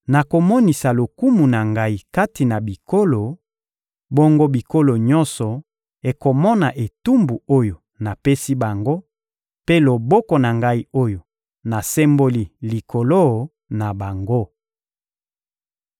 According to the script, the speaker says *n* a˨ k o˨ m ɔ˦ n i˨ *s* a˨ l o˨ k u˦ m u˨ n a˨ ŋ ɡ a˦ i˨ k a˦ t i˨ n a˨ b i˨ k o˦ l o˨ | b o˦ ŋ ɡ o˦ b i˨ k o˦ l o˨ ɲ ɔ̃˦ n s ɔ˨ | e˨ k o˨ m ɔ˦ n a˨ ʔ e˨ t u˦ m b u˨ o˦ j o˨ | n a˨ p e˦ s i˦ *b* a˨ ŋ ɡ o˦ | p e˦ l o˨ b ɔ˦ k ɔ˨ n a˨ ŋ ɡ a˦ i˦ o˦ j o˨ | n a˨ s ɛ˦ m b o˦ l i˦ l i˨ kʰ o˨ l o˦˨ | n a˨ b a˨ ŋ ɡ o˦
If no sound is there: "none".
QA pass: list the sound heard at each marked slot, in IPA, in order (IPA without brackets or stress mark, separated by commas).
n, s, b